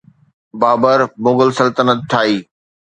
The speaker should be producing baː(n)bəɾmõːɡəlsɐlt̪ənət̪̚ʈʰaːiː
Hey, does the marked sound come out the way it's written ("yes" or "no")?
no